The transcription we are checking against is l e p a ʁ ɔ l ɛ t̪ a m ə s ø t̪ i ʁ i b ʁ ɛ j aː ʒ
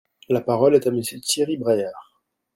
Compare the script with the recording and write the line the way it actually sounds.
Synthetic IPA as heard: l a p a ʁ ɔ l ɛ t̪ a m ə s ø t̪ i ʁ i b ʁ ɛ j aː ʁ